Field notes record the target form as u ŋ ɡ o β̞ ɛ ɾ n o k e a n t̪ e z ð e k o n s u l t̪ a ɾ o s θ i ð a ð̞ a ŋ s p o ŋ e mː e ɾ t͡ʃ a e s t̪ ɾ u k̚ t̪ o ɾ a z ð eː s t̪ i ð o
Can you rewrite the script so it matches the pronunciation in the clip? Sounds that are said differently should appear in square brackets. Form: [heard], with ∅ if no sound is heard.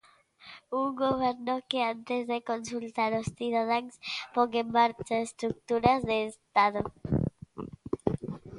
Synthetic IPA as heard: u ŋ ɡ o β̞ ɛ ɾ n o k e a n t̪ e z ð e k o n s u l t̪ a ɾ o s θ i ð a ð̞ a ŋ s p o ŋ e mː [a] ɾ t͡ʃ a e s t̪ ɾ u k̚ t̪ [u] ɾ a z ð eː s t̪ [a] ð o